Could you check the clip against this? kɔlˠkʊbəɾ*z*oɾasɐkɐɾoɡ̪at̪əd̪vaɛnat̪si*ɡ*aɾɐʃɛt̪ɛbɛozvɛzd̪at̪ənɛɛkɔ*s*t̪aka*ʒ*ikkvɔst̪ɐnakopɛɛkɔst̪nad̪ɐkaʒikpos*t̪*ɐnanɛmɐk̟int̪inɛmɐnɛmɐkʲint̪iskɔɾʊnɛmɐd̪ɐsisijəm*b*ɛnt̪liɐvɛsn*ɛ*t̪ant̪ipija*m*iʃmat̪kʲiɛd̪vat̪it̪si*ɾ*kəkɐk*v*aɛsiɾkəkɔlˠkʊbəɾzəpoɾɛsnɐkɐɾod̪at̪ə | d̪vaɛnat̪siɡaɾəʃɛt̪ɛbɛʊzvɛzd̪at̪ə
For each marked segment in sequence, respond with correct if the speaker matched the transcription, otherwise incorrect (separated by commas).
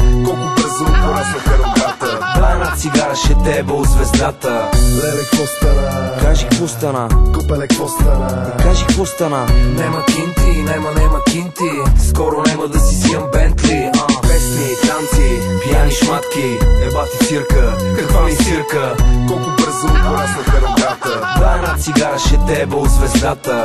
correct, correct, correct, correct, correct, correct, incorrect, incorrect, correct, correct